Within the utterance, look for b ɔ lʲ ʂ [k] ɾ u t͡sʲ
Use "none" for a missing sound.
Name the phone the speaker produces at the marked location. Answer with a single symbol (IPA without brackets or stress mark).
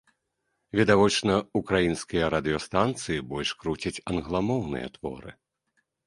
k